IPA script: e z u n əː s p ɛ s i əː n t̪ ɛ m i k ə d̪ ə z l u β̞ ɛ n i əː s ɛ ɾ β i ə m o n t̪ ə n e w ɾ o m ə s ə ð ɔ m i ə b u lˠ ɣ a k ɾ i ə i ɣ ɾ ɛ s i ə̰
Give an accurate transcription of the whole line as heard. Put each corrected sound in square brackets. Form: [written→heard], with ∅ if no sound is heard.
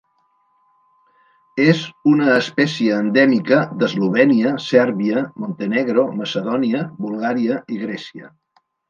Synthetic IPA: e z u n əː s p ɛ s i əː n [t̪→d̪] ɛ m i k ə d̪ ə z l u β̞ ɛ n i [əː→ə] s ɛ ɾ β i ə m o n t̪ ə n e [w→ɣ] ɾ o m ə s ə ð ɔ [m→n] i ə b u lˠ ɣ a [k→∅] ɾ i ə i ɣ ɾ ɛ s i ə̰